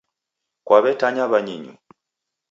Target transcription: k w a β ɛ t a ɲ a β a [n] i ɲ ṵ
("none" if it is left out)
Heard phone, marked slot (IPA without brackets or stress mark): ɲ